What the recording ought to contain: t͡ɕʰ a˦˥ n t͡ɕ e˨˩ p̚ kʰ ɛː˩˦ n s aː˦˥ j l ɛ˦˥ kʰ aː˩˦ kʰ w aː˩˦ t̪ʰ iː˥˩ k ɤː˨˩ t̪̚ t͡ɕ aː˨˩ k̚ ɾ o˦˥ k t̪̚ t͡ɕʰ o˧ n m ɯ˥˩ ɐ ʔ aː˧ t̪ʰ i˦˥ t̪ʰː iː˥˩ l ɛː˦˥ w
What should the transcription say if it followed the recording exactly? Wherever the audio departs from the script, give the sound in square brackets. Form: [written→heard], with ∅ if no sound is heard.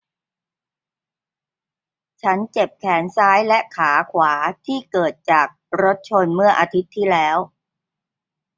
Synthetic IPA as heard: t͡ɕʰ a˦˥ n t͡ɕ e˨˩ p̚ kʰ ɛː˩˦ n s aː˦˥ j l ɛ˦˥ kʰ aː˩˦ kʰ w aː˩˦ t̪ʰ iː˥˩ k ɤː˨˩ t̪̚ t͡ɕ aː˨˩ k̚ ɾ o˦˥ [k→∅] t̪̚ t͡ɕʰ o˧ n m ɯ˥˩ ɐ ʔ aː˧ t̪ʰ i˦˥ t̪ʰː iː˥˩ l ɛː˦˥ w